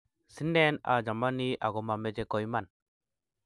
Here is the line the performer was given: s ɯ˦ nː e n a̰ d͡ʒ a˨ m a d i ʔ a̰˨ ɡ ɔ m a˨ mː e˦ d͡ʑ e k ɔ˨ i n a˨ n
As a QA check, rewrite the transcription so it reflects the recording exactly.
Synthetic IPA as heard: s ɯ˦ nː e n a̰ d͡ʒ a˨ m a n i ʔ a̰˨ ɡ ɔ m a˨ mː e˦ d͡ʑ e k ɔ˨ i m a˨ n